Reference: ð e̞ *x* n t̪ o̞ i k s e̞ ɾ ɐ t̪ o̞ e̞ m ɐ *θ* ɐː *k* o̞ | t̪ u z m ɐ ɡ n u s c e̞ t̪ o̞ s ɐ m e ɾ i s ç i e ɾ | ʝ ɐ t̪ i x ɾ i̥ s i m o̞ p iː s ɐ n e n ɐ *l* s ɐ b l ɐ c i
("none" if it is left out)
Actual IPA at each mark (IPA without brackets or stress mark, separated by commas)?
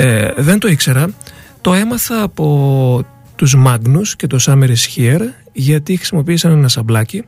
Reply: none, θ, p, none